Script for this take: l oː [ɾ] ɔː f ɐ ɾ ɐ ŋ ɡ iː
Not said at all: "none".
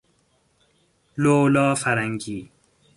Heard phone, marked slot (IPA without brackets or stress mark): l